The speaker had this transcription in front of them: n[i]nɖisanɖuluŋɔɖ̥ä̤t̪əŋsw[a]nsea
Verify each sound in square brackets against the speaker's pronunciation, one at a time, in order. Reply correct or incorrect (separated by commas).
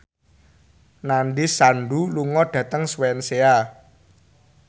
incorrect, incorrect